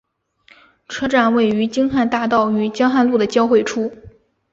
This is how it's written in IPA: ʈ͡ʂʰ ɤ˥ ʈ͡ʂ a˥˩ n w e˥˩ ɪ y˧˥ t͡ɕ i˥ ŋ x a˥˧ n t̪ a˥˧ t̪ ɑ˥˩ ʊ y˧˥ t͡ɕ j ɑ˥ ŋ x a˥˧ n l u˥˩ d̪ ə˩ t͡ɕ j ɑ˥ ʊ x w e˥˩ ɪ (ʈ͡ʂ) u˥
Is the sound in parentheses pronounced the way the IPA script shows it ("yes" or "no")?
no